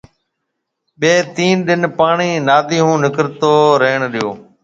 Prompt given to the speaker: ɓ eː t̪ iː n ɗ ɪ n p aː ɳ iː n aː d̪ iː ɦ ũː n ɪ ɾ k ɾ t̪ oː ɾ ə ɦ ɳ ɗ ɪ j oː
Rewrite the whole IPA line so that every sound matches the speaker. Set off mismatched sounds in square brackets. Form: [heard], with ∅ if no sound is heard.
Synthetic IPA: ɓ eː t̪ iː n ɗ ɪ n p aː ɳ iː n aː d̪ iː ɦ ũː n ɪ [∅] k ɾ t̪ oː ɾ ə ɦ ɳ ɗ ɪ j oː